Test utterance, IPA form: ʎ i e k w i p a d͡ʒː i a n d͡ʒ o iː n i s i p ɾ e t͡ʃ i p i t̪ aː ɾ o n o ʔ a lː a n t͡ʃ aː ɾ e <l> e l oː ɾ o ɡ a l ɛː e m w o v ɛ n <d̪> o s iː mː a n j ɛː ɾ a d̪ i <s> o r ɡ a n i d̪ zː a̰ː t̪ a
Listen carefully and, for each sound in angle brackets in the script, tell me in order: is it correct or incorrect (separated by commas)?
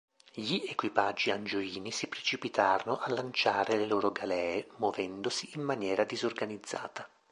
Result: correct, correct, incorrect